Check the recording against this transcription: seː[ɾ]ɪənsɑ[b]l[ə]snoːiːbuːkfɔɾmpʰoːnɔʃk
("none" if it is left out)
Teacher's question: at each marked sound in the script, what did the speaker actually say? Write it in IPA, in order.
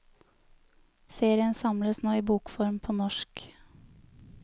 ɾ, m, ə

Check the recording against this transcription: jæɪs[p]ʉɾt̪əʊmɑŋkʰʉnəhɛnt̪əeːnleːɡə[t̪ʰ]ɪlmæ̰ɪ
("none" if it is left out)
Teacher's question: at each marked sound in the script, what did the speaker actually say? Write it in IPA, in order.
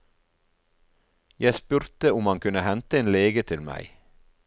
p, t̪ʰ

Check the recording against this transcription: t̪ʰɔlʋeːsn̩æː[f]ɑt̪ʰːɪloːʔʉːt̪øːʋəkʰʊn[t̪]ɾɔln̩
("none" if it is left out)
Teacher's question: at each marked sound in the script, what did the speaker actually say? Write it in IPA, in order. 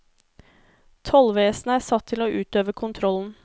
s, t̪ʰ

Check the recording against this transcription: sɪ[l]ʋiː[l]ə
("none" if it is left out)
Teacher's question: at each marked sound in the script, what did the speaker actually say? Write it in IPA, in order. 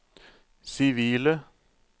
none, l

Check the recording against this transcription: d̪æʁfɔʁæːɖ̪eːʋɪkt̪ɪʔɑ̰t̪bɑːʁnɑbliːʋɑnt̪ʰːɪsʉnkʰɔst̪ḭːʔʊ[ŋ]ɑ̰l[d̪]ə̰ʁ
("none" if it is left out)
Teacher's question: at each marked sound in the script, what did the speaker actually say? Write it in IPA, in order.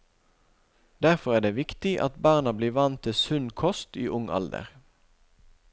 ŋ, d̪

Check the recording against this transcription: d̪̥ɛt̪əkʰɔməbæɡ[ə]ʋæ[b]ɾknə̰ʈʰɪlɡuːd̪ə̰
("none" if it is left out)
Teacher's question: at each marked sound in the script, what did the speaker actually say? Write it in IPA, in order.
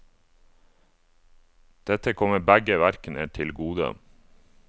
ə, none

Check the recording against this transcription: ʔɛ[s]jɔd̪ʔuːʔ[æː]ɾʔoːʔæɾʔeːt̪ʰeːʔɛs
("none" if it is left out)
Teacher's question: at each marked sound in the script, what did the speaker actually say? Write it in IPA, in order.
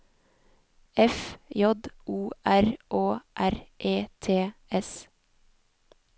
f, æ

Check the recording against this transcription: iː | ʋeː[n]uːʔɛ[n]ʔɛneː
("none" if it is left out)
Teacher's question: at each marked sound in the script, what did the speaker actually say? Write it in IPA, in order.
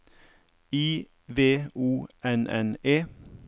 none, n

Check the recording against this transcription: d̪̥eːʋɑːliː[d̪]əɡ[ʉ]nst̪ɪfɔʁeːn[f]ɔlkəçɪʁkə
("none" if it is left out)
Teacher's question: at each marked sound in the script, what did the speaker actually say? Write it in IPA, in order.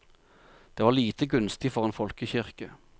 t̪, ʉ, f

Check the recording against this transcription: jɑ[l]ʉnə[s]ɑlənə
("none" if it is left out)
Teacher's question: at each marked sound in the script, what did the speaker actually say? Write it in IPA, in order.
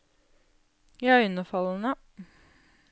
none, f

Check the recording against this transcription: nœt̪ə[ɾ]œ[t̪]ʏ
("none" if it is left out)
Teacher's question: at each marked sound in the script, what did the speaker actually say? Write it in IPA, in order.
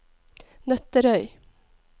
ɾ, none

